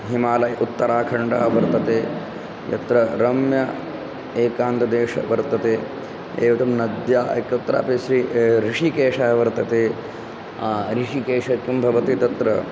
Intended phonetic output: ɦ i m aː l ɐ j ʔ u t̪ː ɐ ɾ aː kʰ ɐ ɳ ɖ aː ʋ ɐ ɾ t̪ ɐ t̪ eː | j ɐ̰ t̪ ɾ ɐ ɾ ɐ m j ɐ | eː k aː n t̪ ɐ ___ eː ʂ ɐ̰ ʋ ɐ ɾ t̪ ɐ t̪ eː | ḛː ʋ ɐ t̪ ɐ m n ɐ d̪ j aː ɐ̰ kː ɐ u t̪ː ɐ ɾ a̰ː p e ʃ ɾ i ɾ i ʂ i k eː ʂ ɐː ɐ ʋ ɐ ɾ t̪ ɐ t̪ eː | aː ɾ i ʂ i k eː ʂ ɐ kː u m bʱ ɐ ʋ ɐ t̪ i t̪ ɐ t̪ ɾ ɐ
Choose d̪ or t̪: d̪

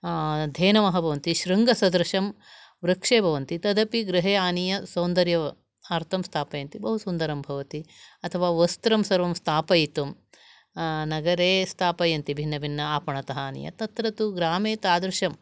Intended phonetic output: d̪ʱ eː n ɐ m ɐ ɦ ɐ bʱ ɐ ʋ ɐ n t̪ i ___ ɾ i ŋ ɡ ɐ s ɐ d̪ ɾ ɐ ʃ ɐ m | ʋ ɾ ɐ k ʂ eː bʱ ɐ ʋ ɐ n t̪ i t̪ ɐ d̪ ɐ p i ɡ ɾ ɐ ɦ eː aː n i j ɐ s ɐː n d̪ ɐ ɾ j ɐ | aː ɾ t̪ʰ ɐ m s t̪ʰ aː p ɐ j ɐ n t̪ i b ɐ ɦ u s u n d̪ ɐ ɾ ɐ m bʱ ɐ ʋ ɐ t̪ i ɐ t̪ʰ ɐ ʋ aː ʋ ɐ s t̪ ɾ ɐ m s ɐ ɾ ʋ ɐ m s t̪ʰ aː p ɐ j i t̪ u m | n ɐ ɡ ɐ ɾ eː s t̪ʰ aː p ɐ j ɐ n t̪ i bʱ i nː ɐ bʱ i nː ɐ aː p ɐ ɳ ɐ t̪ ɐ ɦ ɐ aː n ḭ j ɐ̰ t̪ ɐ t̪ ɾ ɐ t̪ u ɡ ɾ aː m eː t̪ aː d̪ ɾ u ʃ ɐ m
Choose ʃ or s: ʃ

